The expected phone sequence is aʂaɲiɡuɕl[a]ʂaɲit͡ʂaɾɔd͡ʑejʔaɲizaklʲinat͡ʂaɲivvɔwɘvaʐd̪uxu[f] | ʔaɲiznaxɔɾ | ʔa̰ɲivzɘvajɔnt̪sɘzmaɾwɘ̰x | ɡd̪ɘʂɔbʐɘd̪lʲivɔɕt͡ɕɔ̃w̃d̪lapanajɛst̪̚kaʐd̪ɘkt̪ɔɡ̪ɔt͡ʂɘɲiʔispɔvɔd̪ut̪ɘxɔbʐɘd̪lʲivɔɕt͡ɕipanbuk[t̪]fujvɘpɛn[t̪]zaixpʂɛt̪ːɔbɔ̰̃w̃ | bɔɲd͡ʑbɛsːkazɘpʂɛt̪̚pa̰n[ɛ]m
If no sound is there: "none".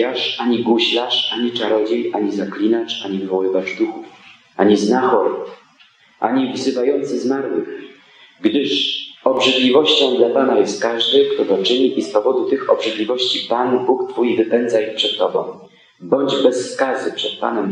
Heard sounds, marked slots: a, f, t̪, d̪, ɛ

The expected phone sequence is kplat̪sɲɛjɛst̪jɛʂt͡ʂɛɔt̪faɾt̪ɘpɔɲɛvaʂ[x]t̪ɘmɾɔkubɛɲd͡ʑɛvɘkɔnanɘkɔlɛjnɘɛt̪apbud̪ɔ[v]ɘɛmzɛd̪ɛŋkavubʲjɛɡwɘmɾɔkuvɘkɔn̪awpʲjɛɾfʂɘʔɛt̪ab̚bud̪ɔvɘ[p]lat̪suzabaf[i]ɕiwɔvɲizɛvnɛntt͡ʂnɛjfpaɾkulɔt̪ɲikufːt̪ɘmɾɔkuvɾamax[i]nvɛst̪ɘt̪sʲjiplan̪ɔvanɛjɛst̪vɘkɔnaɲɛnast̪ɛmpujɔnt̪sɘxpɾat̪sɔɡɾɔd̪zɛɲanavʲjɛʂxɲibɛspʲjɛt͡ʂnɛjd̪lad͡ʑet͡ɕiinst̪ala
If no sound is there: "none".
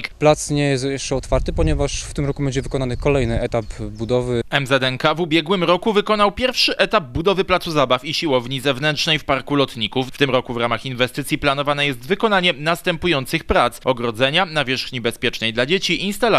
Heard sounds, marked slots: f, v, p, i, i

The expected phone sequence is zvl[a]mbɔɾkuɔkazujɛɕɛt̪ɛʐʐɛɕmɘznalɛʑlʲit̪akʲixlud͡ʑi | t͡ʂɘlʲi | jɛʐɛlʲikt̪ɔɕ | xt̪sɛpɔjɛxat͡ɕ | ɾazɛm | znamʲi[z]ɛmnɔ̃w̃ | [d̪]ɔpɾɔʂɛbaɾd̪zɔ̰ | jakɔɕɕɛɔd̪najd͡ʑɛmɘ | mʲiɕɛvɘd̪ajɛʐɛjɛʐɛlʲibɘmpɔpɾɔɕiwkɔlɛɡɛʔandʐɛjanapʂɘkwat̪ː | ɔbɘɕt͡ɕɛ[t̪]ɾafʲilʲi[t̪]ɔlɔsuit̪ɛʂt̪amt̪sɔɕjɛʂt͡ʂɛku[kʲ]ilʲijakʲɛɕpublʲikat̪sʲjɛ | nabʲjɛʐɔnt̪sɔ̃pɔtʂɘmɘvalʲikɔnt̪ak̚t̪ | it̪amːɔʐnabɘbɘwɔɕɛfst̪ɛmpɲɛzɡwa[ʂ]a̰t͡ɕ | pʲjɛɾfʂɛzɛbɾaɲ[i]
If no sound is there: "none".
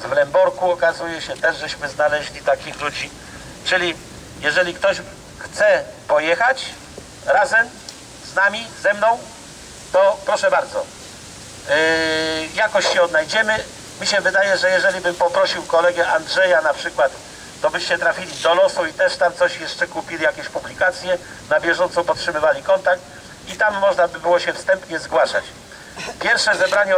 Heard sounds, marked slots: ɛ, z, t̪, t̪, d̪, pʲ, ʂ, ɛ

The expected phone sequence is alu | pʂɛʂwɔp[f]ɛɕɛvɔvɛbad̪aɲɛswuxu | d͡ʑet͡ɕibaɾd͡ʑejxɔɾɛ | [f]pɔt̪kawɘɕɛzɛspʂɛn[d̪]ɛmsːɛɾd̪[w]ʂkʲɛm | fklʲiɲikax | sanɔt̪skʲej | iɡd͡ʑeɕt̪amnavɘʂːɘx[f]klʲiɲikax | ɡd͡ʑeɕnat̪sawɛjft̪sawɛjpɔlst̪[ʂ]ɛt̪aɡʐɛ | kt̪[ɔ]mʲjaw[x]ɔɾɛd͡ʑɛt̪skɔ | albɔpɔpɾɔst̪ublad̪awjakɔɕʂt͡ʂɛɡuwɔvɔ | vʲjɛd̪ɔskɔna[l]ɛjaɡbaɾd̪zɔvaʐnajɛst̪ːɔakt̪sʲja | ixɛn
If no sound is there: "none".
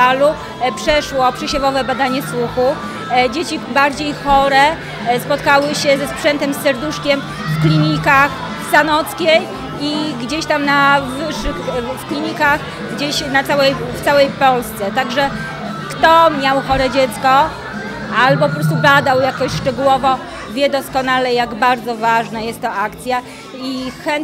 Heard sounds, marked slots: ʂ, s, t̪, u, f, s, ɔ, x, l

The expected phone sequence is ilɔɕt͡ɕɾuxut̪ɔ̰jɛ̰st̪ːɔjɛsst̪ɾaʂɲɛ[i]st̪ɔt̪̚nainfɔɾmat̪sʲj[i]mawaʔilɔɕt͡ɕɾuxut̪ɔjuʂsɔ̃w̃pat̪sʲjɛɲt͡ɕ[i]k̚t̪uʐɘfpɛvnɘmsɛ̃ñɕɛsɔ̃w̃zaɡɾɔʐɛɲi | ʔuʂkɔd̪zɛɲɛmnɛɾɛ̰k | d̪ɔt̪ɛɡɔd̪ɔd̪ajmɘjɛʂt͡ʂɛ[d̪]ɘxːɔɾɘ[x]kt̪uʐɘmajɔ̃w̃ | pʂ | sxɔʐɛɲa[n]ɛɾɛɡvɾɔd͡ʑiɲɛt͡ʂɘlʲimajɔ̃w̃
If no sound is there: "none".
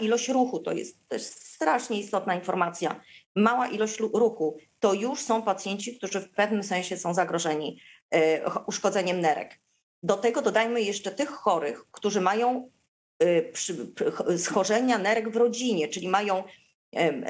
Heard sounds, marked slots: i, a, i, t̪, x, n

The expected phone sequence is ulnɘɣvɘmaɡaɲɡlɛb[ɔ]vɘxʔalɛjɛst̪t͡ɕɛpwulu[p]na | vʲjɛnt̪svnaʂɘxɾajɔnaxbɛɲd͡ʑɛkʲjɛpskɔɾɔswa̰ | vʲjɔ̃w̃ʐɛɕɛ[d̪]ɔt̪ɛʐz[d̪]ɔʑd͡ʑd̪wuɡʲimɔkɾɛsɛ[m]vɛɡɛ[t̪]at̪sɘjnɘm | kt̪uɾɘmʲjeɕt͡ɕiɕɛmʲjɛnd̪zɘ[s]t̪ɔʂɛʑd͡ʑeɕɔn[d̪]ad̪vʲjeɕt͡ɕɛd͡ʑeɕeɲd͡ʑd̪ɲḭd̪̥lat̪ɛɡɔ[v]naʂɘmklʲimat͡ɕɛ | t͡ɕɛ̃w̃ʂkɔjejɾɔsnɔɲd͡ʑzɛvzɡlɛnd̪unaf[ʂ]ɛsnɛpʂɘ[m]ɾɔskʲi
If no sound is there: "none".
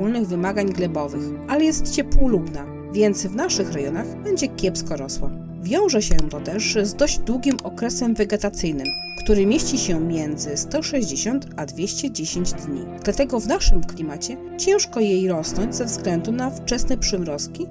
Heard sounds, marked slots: ɔ, b, t̪, d̪, m, t̪, s, t̪, v, t͡ʂ, m

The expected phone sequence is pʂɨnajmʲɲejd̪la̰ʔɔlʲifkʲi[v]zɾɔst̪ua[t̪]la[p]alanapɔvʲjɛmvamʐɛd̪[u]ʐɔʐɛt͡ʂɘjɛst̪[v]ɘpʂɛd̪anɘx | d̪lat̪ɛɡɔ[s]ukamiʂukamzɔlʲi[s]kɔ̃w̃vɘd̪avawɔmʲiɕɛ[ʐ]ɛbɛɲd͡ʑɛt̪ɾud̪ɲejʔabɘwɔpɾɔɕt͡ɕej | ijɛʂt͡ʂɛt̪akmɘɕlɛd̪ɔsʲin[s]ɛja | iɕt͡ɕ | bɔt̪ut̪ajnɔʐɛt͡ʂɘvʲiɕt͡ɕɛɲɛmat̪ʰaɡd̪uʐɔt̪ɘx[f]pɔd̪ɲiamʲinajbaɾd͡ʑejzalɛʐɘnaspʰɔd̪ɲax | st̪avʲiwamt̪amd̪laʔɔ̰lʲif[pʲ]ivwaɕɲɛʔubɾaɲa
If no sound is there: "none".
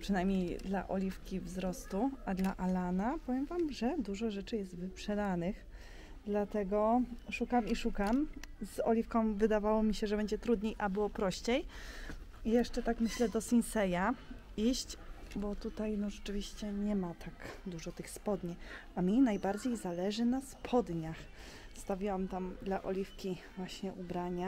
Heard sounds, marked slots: v, d̪, ʔ, u, v, ʂ, f, ʐ, s, s, kʲ

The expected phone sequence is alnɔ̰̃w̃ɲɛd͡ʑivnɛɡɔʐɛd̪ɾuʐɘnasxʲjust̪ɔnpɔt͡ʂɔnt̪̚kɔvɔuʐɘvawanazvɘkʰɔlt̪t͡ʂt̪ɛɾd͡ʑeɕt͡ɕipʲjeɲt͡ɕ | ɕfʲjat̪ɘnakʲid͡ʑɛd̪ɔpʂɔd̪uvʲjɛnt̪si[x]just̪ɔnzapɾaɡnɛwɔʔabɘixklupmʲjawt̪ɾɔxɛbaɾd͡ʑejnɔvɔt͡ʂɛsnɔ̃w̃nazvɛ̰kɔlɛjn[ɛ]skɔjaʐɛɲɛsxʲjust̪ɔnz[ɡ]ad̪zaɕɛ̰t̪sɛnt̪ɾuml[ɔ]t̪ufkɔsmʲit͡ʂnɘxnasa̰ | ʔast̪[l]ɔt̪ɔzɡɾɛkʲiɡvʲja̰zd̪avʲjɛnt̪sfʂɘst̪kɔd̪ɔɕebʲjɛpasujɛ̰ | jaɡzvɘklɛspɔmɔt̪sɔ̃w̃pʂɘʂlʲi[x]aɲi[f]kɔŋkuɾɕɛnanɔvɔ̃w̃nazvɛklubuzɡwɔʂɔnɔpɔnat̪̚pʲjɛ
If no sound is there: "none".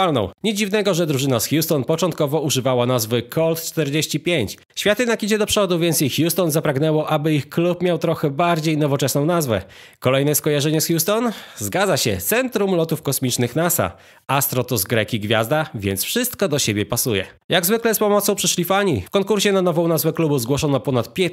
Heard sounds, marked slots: x, ɛ, ɡ, ɔ, ɾ, f, f

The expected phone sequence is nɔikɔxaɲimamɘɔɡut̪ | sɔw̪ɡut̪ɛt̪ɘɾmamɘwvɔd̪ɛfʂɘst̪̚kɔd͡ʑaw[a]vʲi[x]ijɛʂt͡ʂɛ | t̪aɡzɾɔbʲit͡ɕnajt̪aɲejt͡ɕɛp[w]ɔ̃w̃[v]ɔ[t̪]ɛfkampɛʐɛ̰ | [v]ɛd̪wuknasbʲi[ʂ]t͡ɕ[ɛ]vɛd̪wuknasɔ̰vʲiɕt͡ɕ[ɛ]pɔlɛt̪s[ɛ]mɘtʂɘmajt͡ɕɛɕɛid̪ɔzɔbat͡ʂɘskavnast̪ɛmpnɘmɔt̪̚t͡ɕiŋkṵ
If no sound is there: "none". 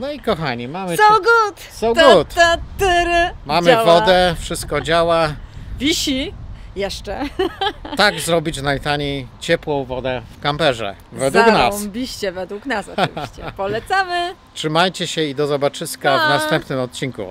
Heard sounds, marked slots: a, ɕ, w, v, d̪, v, ɕ, ɛ, ɛ, a

